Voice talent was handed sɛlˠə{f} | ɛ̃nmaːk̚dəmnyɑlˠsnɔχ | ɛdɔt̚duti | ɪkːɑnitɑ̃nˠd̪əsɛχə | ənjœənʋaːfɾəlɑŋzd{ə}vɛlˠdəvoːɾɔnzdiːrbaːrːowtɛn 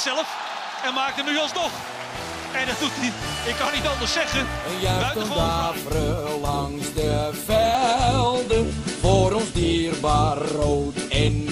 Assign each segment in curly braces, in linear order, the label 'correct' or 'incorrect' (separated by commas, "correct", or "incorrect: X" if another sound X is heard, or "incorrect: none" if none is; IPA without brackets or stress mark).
correct, correct